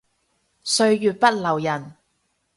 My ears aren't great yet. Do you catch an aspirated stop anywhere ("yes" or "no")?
no